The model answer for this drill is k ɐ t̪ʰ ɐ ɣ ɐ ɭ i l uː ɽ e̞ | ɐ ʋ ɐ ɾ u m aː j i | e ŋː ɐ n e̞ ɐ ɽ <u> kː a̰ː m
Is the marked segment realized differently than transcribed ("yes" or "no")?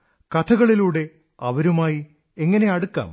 no